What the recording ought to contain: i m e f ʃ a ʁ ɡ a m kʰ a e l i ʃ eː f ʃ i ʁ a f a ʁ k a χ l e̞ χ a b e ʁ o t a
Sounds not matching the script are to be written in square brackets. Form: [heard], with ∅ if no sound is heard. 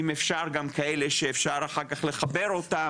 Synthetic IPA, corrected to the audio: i m e f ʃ a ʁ ɡ a m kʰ a e l [e] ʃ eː f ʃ [a] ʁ a [χ] a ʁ k a χ l e̞ χ a b e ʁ o t a